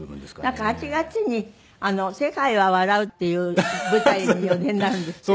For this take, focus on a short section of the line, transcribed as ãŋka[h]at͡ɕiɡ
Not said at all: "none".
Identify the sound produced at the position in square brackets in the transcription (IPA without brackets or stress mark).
h